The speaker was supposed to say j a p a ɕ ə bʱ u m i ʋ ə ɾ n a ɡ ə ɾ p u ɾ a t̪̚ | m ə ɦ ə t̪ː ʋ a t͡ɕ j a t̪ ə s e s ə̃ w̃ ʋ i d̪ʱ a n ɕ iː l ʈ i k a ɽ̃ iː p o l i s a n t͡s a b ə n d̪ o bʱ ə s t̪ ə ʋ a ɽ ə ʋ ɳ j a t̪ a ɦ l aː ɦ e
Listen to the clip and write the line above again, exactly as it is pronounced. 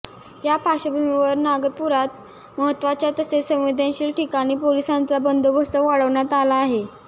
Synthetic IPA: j a p a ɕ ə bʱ u m i ʋ ə ɾ n a ɡ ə ɾ p u ɾ a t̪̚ | m ə ɦ ə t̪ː ʋ a t͡ɕ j a t̪ ə s e s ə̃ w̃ ʋ i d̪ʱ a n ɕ iː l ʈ i k a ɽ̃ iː p o l i s a n t͡s a b ə n d̪ o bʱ ə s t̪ ə ʋ a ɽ ə ʋ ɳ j a t̪ a l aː ɦ e